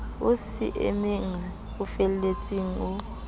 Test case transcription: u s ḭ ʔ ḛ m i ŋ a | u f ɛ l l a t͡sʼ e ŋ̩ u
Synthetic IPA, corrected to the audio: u s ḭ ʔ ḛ m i ŋ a | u f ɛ l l e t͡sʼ i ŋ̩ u